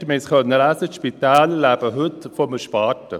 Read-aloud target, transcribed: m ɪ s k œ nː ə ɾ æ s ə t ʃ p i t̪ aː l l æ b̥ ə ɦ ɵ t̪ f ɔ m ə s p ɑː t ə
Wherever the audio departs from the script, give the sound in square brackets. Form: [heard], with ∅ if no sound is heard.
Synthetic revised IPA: m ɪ s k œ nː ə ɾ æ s ə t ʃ p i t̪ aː l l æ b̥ ə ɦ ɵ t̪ f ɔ m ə [ʃ] p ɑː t ə